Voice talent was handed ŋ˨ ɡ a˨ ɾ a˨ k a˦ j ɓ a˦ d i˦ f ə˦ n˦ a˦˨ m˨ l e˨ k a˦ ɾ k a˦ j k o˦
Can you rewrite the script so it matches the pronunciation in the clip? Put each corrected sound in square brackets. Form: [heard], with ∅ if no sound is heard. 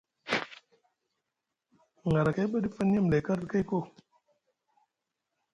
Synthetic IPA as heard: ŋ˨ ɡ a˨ ɾ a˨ k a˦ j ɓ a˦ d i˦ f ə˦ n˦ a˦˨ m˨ l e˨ k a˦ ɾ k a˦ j k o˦